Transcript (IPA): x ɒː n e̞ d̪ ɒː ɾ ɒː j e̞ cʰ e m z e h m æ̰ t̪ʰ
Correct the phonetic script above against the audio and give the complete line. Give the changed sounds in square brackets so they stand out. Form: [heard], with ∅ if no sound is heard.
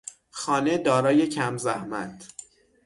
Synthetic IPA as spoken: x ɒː n e̞ d̪ ɒː ɾ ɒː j e̞ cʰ [æ] m z [æ] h m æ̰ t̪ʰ